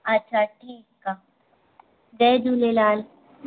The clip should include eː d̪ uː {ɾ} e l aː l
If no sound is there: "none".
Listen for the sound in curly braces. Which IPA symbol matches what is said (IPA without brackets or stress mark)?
l